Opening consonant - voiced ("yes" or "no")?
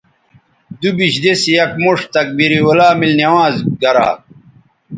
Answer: yes